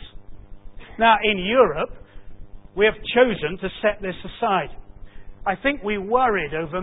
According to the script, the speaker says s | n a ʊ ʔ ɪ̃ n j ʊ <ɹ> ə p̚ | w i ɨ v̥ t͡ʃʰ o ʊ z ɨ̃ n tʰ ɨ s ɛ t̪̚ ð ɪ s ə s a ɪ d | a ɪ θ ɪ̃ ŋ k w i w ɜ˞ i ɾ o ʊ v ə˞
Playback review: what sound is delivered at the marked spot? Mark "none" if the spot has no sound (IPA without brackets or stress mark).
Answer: ɹ